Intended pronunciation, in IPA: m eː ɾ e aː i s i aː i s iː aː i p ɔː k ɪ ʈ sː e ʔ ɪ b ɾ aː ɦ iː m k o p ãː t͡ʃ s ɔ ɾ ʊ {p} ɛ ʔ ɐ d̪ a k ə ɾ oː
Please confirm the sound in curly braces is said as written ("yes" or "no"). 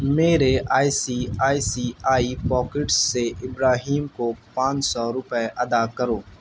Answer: yes